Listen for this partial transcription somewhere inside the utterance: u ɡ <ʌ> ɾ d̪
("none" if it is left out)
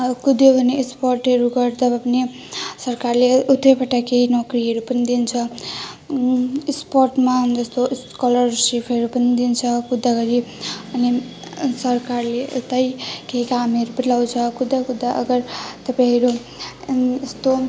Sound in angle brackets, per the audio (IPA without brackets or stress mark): ʌ